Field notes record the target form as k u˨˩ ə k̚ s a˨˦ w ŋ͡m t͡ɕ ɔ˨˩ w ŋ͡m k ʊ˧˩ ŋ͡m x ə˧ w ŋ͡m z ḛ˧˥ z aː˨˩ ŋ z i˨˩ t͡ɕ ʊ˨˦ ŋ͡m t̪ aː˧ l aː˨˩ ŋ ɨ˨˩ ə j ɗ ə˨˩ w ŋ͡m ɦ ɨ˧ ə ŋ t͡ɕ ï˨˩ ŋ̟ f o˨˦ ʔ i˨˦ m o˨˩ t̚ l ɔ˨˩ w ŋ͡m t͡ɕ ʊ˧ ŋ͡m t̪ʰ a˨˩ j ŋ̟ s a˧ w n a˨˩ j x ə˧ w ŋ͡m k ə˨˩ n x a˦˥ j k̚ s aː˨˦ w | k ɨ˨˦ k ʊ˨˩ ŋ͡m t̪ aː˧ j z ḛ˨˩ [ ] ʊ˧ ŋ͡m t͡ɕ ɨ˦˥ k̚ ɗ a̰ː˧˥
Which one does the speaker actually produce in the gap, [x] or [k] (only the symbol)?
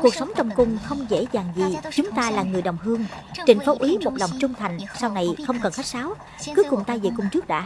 k